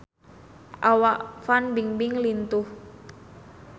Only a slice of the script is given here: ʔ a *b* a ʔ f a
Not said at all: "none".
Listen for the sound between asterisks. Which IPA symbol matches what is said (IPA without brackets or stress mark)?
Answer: w